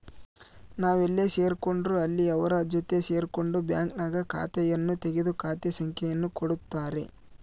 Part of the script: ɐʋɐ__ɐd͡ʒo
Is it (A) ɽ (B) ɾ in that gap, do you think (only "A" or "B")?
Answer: B